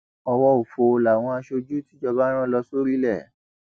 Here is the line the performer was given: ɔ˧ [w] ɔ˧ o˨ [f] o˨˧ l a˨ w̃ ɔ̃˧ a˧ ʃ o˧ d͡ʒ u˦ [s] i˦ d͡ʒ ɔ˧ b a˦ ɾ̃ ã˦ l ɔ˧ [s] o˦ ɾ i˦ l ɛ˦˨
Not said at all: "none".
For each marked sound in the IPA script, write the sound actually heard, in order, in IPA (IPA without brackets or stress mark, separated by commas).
w, f, t, s